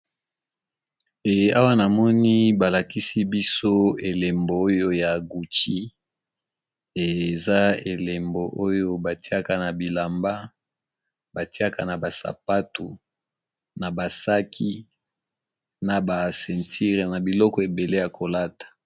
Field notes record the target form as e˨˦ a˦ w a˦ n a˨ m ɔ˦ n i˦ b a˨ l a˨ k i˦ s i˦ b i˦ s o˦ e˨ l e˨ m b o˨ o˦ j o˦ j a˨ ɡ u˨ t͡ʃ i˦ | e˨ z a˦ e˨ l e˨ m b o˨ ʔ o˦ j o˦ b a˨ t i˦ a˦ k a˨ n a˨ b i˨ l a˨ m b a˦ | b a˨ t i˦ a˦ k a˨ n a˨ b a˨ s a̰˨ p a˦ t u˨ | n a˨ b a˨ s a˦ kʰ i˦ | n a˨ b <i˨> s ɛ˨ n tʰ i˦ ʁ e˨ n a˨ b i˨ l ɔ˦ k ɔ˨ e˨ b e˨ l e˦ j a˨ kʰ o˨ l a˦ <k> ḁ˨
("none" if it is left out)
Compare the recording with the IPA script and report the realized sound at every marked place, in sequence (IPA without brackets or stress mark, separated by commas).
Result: a˨, t